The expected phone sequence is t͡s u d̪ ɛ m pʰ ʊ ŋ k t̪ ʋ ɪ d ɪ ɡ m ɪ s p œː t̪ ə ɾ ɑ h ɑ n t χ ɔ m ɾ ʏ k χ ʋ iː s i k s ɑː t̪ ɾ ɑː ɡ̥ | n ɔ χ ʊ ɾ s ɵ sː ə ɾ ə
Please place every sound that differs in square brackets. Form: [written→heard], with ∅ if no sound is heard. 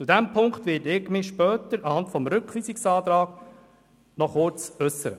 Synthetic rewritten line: t͡s u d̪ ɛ m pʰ ʊ ŋ k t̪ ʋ ɪ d ɪ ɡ m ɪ [s→ʃ] p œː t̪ ə ɾ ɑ h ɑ n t [χ→f] ɔ m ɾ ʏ k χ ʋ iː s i k s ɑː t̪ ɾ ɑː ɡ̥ | n ɔ χ ʊ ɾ [s→t͡s] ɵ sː ə ɾ ə